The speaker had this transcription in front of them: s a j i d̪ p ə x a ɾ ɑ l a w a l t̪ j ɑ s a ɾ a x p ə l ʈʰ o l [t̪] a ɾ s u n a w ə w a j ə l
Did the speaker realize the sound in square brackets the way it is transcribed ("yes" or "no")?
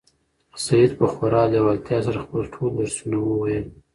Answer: no